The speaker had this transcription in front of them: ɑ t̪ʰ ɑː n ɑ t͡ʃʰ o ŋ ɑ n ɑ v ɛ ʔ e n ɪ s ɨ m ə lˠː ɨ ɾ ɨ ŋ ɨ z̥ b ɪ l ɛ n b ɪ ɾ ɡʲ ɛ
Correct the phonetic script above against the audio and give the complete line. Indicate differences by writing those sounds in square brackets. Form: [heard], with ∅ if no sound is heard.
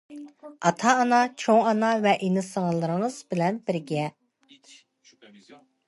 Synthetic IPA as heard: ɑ t̪ʰ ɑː n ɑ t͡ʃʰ o ŋ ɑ n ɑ v ɛ ʔ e n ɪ s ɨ [ŋ] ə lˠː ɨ ɾ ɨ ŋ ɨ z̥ b ɪ l ɛ n b ɪ ɾ ɡʲ ɛ